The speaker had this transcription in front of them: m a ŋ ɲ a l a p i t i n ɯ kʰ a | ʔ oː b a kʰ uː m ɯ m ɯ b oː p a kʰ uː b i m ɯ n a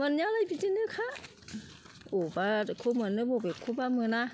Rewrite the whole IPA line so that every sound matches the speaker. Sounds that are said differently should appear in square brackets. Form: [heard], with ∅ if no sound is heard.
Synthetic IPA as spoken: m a [n] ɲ a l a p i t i n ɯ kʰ a | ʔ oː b a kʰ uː m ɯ [n] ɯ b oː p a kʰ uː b [a] m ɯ n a